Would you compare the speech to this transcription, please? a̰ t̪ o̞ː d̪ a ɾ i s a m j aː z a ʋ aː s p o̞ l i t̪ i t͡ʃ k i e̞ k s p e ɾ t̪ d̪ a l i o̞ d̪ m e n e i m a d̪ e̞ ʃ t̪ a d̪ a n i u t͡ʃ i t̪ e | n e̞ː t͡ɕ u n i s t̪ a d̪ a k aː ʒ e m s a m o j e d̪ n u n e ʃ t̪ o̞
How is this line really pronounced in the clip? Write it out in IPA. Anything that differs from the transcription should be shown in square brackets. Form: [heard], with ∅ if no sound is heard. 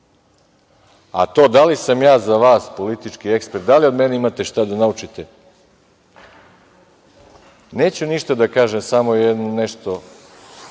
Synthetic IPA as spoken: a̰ t̪ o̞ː d̪ a [l] i s a m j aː z a ʋ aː s p o̞ l i t̪ i t͡ʃ k i e̞ k s p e ɾ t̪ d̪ a l i o̞ d̪ m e n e i m a [t̪] e̞ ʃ t̪ a d̪ a n [a] u t͡ʃ i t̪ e | n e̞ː t͡ɕ u n i [ʃ] t̪ a d̪ a k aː ʒ e m s a m o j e d̪ n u n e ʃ t̪ o̞

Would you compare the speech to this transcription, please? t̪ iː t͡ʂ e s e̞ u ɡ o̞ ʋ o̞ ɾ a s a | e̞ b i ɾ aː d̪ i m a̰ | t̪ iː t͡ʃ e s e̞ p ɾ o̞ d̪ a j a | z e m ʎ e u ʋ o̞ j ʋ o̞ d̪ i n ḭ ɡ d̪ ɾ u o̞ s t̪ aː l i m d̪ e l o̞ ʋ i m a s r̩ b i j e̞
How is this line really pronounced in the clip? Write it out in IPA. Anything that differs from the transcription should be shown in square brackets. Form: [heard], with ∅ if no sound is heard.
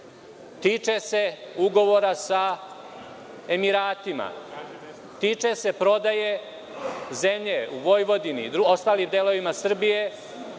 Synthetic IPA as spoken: t̪ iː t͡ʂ e s e̞ u ɡ o̞ ʋ o̞ ɾ a s a | e̞ [m] i ɾ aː [t̪] i m a̰ | t̪ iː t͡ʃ e s e̞ p ɾ o̞ d̪ a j [e] | z e m ʎ e u ʋ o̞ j ʋ o̞ d̪ i n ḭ [∅] d̪ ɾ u o̞ s t̪ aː l i m d̪ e l o̞ ʋ i m a s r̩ b i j e̞

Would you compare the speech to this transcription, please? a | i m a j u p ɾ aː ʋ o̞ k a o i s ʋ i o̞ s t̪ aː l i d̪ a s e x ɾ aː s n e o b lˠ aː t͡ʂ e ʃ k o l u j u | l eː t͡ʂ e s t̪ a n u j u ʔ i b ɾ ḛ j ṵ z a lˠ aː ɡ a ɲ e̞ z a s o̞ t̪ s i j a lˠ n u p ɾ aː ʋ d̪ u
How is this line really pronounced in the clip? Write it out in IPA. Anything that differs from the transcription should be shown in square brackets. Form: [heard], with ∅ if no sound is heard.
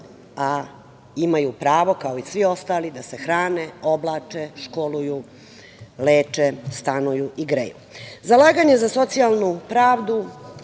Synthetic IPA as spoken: a | i m a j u p ɾ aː ʋ o̞ k a o i s ʋ i o̞ s t̪ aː l i d̪ a s e x ɾ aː [∅] n e o b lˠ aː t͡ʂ e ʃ k o l u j u | l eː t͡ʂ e s t̪ a n u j u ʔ i [ɡ] ɾ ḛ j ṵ z a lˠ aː ɡ a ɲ e̞ z a s o̞ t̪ s i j a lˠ n u p ɾ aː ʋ d̪ u

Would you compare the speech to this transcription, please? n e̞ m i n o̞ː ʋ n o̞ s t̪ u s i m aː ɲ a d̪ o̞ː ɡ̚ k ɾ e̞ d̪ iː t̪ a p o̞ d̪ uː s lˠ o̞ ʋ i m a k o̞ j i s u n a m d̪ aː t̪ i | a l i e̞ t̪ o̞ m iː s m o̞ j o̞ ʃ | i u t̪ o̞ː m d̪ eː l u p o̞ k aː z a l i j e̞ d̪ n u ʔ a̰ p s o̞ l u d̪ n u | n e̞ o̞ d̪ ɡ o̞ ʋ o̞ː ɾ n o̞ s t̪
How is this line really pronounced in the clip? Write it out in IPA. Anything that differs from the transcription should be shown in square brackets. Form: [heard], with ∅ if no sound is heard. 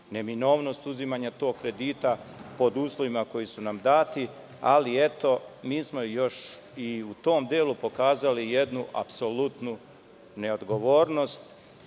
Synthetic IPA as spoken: n e̞ m i n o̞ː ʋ n o̞ s t̪ u [z] i m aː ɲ a [t̪] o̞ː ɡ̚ k ɾ e̞ d̪ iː t̪ a p o̞ d̪ uː s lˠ o̞ ʋ i m a k o̞ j i s u n a m d̪ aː t̪ i | a l i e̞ t̪ o̞ m iː s m o̞ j o̞ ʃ | i u t̪ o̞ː m d̪ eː l u p o̞ k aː z a l i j e̞ d̪ n u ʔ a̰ p s o̞ l u [t̪] n u | n e̞ o̞ d̪ ɡ o̞ ʋ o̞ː ɾ n o̞ s t̪

